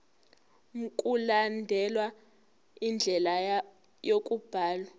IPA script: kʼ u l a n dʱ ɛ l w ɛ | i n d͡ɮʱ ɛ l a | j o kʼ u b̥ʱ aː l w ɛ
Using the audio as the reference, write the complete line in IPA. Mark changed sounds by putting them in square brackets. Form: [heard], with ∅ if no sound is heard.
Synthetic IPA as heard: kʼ u l a n dʱ ɛ l w [a] | i n d͡ɮʱ ɛ l a | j o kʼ u b̥ʱ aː l w [a]